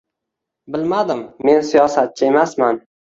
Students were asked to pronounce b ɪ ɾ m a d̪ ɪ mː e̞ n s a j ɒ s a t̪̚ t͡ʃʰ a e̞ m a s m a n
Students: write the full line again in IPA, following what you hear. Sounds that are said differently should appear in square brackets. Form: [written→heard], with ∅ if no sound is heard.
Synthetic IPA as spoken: b ɪ [ɾ→l] m a d̪ ɪ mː e̞ n s [a→i] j ɒ s a t̪̚ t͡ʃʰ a e̞ m a s m a n